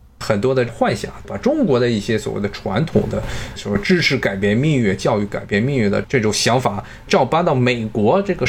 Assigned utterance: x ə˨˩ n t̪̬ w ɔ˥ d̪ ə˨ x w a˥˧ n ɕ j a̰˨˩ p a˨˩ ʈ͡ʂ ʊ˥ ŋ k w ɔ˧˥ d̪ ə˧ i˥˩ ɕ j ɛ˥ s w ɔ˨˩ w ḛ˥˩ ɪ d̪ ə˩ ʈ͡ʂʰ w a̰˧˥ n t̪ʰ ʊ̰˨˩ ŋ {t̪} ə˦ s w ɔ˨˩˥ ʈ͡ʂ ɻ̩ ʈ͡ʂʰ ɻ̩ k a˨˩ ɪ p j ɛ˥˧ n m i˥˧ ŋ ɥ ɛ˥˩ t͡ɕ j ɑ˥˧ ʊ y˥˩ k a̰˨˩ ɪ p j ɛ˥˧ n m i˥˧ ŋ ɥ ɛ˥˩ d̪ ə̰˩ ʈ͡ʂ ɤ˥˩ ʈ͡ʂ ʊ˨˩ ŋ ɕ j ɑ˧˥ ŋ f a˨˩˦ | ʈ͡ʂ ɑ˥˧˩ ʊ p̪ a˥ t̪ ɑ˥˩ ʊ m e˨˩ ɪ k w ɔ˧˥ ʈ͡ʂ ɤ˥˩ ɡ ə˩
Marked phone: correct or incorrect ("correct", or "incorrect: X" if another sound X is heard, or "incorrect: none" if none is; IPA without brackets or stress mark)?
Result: incorrect: d̪